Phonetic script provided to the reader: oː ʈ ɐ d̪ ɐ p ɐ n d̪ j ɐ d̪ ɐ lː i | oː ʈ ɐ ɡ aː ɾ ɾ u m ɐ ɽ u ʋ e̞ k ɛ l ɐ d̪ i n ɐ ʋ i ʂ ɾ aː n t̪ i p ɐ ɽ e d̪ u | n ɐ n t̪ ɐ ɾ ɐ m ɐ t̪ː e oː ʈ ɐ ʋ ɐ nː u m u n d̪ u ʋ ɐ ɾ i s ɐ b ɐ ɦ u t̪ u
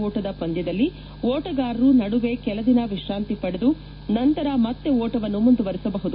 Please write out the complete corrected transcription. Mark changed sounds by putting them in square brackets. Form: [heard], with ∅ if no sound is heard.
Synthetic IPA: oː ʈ ɐ d̪ ɐ p ɐ n d̪ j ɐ d̪ ɐ lː i | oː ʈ ɐ ɡ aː ɾ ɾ u [n] ɐ ɽ u ʋ e̞ k ɛ l ɐ d̪ i n ɐ ʋ i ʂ ɾ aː n t̪ i p ɐ ɽ e d̪ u | n ɐ n t̪ ɐ ɾ ɐ m ɐ t̪ː e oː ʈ ɐ ʋ ɐ nː u m u n d̪ u ʋ ɐ ɾ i s ɐ b ɐ ɦ u [d̪] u

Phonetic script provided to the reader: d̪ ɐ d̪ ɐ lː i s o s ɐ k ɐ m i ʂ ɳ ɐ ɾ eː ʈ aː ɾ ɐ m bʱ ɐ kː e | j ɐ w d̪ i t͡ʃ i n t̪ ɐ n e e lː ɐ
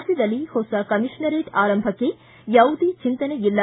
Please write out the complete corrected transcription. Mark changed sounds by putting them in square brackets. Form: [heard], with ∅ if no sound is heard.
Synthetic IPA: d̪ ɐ d̪ ɐ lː i [h] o s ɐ k ɐ m i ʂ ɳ ɐ ɾ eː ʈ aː ɾ ɐ m bʱ ɐ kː e | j ɐ w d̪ i t͡ʃ i n t̪ ɐ n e [i] lː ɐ

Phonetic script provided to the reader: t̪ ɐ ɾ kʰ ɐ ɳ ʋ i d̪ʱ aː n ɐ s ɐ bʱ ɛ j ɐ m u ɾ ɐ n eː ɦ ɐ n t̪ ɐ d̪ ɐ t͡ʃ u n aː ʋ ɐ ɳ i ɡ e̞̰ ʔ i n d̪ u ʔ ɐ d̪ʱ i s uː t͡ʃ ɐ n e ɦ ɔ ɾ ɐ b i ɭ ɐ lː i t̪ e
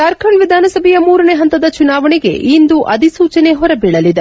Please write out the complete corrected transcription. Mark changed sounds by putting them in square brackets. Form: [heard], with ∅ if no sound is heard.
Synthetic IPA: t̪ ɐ ɾ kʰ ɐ ɳ ʋ i d̪ʱ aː n ɐ s ɐ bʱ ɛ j ɐ m [uː] ɾ ɐ n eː ɦ ɐ n t̪ ɐ d̪ ɐ t͡ʃ u n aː ʋ ɐ ɳ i ɡ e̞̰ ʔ i n d̪ u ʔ ɐ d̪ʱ i s uː t͡ʃ ɐ n e ɦ ɔ ɾ ɐ b i ɭ ɐ [l] i [d̪] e

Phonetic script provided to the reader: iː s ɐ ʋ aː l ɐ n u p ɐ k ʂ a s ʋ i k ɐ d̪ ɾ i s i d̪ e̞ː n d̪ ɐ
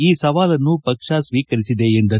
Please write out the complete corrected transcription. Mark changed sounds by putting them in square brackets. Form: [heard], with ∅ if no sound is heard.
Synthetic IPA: iː s ɐ ʋ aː l ɐ [nː] u p ɐ k ʂ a s ʋ [iː] k ɐ [∅] ɾ i s i d̪ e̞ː n d̪ ɐ

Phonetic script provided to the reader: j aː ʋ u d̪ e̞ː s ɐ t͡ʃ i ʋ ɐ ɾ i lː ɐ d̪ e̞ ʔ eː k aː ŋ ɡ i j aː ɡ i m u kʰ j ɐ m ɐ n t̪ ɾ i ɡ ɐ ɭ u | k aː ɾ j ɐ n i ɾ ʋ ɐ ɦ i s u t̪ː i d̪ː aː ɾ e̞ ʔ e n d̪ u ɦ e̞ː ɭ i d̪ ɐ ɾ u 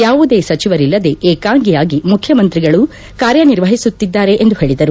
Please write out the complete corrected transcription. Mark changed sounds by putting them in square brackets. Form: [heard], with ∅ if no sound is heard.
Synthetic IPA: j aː ʋ u d̪ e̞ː s ɐ t͡ʃ i ʋ ɐ ɾ i lː ɐ d̪ e̞ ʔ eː k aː ŋ ɡ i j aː ɡ i m u kʰ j ɐ m ɐ n t̪ ɾ i ɡ ɐ ɭ u | k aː ɾ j ɐ n i ɾ ʋ ɐ ɦ i s u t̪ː i d̪ː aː ɾ e̞ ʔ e n d̪ u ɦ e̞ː ɭ i d̪ ɐ ɾ u

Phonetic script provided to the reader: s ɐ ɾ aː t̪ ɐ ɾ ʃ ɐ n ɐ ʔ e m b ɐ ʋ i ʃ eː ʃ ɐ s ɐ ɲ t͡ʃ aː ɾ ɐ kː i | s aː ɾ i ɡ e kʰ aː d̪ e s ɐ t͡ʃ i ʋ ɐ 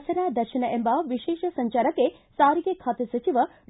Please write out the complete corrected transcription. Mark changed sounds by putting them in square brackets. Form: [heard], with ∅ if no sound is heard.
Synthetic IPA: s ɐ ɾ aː [d̪] ɐ ɾ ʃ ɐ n ɐ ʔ e m b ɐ ʋ i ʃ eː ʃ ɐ s ɐ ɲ t͡ʃ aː ɾ ɐ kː [e] | s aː ɾ i ɡ e kʰ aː [t̪] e s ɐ t͡ʃ i ʋ ɐ

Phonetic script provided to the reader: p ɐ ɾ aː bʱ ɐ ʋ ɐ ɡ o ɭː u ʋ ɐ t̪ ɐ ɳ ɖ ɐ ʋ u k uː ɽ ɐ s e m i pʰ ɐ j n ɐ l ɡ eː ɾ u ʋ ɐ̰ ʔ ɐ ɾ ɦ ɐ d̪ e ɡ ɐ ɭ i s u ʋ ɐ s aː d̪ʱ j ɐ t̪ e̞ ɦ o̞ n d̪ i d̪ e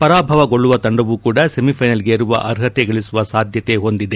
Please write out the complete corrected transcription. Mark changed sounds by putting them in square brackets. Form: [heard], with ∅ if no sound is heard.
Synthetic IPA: p ɐ ɾ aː bʱ ɐ ʋ ɐ ɡ o ɭː u ʋ ɐ t̪ ɐ ɳ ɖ ɐ ʋ u k uː ɽ ɐ s e m i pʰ ɐ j n ɐ l ɡ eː ɾ u ʋ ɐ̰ ʔ ɐ ɾ ɦ ɐ [t̪] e ɡ ɐ ɭ i s u ʋ ɐ s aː d̪ʱ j ɐ t̪ e̞ ɦ o̞ n d̪ i d̪ e

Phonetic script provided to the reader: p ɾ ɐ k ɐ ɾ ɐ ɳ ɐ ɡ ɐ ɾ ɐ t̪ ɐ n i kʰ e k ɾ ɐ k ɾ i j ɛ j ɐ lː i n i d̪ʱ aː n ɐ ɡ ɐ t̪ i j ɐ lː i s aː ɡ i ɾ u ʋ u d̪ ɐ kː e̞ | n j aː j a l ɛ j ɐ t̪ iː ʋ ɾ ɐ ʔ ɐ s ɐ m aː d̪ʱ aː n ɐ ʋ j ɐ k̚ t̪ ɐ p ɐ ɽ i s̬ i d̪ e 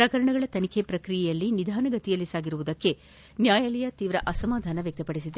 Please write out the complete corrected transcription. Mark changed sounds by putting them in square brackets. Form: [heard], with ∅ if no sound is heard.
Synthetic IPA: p ɾ ɐ k ɐ ɾ ɐ ɳ ɐ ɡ ɐ [ɭ] ɐ t̪ ɐ n i kʰ e [p] ɾ ɐ k ɾ i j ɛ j ɐ lː i n i d̪ʱ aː n ɐ ɡ ɐ t̪ i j ɐ lː i s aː ɡ i ɾ u ʋ u d̪ ɐ kː e̞ | n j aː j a l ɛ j ɐ t̪ iː ʋ ɾ ɐ ʔ ɐ s ɐ m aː d̪ʱ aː n ɐ ʋ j ɐ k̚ t̪ ɐ p ɐ ɽ i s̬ i d̪ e

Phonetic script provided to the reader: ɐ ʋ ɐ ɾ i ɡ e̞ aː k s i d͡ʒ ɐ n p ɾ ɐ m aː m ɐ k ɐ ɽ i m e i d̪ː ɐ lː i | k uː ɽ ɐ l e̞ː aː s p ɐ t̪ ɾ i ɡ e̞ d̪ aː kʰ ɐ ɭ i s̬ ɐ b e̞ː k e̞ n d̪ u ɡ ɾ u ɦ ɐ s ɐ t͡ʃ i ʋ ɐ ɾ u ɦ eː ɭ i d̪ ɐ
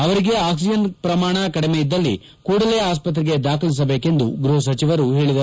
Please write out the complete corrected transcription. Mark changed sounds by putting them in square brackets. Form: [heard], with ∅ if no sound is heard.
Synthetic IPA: ɐ ʋ ɐ ɾ i ɡ e̞ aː k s i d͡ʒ ɐ n p ɾ ɐ m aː [ɳ] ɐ k ɐ ɽ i m e i d̪ː ɐ lː i | k uː ɽ ɐ l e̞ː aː s p ɐ t̪ ɾ i ɡ e̞ d̪ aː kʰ ɐ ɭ i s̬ ɐ b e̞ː k e̞ n d̪ u ɡ ɾ u ɦ ɐ s ɐ t͡ʃ i ʋ ɐ ɾ u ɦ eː ɭ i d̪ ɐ

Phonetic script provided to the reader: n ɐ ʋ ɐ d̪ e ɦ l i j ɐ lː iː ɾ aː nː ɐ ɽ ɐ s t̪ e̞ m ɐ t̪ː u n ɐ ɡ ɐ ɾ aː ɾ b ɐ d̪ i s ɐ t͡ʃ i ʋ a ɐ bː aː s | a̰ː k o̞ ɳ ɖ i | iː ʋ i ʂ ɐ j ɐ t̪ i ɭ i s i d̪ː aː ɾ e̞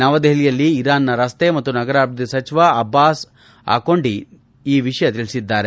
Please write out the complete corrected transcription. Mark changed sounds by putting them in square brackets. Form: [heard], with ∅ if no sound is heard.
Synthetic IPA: n ɐ ʋ ɐ d̪ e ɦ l i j ɐ lː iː ɾ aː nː ɐ [ɾ] ɐ s t̪ e̞ m ɐ t̪ː u n ɐ ɡ ɐ ɾ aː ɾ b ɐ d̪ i s ɐ t͡ʃ i ʋ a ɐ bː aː s | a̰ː k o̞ ɳ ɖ i | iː ʋ i ʂ ɐ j ɐ t̪ i ɭ i s i d̪ː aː ɾ e̞

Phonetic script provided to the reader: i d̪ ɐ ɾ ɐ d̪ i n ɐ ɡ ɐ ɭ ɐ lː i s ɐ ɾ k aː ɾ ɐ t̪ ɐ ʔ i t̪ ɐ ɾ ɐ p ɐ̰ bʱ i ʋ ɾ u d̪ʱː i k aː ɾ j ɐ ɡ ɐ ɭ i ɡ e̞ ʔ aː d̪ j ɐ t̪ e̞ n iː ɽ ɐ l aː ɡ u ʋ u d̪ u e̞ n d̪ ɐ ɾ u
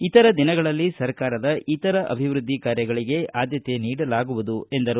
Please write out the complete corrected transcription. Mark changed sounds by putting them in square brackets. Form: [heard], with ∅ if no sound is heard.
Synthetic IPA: i [t̪] ɐ ɾ ɐ d̪ i n ɐ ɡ ɐ ɭ ɐ lː i s ɐ ɾ k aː ɾ ɐ [d̪] ɐ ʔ i t̪ ɐ ɾ ɐ [ʔ] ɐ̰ bʱ i ʋ ɾ u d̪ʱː i k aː ɾ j ɐ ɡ ɐ ɭ i ɡ e̞ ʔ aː d̪ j ɐ t̪ e̞ n iː ɽ ɐ l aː ɡ u ʋ u d̪ u e̞ n d̪ ɐ ɾ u

